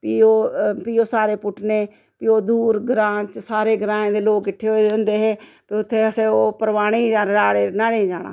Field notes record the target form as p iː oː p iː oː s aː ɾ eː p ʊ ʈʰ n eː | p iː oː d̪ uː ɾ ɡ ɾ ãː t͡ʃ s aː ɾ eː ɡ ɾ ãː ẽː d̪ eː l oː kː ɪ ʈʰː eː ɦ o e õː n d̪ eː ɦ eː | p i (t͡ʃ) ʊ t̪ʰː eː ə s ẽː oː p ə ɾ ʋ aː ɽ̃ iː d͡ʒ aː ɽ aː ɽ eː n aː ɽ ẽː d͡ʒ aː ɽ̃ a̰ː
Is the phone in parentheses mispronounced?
yes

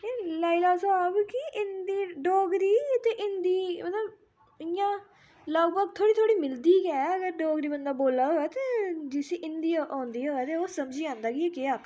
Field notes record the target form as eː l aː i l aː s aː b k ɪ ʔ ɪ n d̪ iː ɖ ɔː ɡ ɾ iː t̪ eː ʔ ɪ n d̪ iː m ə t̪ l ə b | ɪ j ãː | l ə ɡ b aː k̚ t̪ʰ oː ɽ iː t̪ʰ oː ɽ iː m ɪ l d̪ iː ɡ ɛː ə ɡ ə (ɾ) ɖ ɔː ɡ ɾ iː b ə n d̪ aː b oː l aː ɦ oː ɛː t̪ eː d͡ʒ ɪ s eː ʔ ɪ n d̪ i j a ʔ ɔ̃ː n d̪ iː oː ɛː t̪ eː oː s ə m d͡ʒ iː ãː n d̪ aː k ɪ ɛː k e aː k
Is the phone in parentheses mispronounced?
no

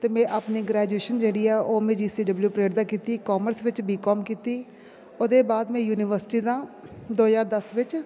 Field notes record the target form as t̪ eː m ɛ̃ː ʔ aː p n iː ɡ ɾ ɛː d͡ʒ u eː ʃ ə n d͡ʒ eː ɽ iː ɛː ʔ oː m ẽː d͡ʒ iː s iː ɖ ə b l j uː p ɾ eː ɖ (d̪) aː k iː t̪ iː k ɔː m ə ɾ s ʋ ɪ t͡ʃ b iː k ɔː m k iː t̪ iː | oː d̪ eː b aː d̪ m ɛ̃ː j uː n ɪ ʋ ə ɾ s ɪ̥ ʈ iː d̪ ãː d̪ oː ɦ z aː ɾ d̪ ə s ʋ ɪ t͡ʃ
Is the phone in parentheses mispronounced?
no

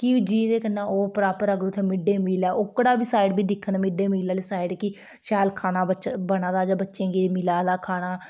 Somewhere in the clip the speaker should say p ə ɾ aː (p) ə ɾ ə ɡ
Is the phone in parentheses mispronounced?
no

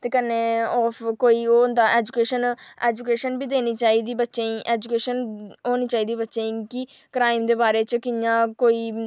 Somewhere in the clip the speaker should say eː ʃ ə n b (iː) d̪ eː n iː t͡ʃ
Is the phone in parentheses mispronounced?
no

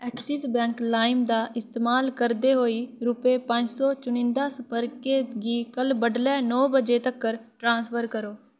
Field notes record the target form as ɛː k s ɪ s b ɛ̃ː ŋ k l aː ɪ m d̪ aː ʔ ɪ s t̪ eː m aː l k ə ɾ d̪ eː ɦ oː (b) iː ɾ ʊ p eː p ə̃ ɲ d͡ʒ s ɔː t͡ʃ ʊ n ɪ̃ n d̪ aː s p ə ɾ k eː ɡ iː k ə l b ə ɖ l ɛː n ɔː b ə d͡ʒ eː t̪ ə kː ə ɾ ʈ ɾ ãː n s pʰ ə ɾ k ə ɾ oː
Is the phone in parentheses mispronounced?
yes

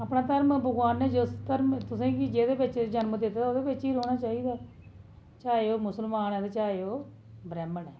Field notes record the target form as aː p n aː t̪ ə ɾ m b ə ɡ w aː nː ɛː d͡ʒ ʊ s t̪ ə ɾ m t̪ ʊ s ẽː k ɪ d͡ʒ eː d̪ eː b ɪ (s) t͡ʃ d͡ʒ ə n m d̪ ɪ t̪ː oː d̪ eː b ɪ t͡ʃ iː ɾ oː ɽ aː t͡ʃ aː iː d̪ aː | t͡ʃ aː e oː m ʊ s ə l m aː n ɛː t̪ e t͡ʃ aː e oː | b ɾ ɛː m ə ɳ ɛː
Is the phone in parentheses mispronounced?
yes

